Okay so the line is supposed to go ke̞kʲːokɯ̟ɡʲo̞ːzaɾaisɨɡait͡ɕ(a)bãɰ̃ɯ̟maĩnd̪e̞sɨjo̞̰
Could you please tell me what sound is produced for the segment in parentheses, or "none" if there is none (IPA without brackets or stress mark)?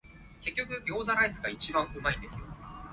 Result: i